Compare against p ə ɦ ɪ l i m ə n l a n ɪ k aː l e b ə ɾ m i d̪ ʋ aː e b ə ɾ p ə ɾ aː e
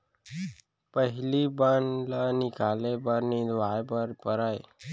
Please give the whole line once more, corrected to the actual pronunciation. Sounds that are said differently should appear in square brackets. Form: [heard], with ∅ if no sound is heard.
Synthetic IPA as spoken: p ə ɦ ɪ l i [b] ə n l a n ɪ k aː l e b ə ɾ [n] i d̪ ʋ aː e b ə ɾ p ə ɾ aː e